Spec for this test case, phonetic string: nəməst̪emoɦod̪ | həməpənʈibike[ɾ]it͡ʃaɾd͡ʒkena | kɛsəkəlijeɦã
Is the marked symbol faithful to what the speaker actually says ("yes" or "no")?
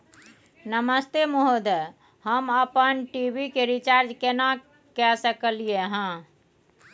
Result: yes